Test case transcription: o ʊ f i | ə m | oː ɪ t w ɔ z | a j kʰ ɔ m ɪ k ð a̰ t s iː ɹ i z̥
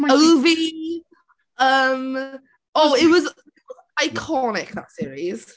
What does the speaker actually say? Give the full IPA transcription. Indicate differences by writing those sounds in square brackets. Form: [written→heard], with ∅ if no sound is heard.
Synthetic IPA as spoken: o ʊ [f→v] i | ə m | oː ɪ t w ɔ z | a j kʰ ɔ [m→n] ɪ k ð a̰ t s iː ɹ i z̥